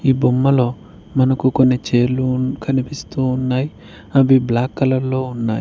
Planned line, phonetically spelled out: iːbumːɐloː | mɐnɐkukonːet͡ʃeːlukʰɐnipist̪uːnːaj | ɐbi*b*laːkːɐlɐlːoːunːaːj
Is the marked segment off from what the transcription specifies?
no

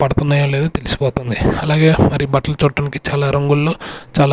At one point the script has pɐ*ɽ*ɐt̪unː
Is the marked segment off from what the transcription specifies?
no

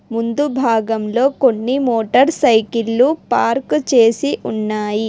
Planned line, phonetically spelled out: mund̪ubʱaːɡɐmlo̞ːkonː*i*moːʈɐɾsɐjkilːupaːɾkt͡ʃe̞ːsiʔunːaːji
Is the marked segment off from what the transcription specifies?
no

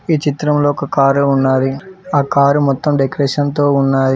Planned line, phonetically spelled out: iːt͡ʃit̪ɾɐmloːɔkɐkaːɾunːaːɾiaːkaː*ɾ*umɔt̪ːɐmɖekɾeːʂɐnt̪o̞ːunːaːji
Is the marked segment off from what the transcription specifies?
no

